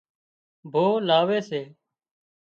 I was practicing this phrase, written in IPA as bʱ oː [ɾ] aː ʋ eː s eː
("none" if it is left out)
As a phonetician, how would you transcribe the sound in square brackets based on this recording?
l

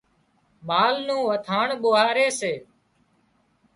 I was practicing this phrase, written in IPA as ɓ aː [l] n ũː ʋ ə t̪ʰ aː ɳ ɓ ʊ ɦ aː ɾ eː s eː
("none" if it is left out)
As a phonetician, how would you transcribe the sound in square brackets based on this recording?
l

